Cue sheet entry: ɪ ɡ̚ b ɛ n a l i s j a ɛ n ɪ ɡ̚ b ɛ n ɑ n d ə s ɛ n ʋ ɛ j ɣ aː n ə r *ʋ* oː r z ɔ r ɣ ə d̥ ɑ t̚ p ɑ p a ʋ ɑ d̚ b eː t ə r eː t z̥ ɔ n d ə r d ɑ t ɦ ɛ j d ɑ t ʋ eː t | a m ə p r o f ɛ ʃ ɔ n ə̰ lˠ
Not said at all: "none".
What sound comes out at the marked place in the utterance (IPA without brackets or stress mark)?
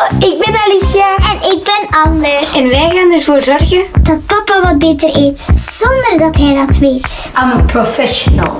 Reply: v